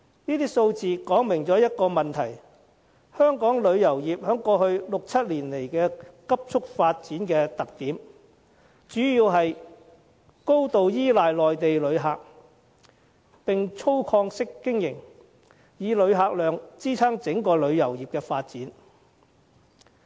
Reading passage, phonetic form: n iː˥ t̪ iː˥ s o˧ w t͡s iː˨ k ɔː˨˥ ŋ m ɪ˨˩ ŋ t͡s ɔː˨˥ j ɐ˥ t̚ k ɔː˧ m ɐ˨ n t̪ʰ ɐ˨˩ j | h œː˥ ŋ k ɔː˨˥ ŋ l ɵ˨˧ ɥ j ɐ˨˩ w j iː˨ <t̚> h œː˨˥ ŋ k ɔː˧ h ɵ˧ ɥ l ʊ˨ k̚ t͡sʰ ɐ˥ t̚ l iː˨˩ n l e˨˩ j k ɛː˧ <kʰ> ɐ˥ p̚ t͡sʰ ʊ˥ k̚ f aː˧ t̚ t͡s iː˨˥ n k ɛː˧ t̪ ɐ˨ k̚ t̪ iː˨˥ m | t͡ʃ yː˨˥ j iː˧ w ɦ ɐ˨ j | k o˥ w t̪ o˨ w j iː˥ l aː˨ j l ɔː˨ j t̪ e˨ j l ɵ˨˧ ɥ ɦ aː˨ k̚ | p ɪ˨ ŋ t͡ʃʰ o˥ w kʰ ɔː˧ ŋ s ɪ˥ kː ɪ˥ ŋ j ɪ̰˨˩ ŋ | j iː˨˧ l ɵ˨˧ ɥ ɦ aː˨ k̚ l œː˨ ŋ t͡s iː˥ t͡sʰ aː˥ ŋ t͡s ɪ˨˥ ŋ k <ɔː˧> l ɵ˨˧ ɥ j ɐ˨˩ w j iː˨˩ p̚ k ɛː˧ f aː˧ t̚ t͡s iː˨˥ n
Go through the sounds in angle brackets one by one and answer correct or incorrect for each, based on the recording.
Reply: incorrect, incorrect, correct

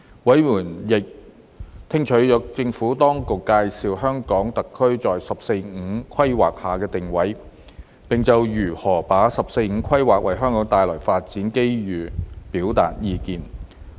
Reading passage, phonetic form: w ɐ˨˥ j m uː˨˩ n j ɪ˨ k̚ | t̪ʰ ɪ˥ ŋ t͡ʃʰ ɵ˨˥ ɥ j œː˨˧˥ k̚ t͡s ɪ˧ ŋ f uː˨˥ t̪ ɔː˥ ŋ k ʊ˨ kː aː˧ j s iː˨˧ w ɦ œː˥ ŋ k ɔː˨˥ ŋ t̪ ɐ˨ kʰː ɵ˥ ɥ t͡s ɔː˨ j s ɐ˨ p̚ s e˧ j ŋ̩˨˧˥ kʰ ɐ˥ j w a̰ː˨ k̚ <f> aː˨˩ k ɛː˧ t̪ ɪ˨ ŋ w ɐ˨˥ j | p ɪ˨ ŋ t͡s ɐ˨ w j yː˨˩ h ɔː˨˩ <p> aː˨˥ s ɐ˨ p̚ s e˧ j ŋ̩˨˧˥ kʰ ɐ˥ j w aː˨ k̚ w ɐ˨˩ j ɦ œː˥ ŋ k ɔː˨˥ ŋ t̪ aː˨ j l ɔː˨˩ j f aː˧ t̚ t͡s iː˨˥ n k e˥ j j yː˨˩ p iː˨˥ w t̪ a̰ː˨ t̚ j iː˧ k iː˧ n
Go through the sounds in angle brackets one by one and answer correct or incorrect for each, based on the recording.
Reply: incorrect, correct

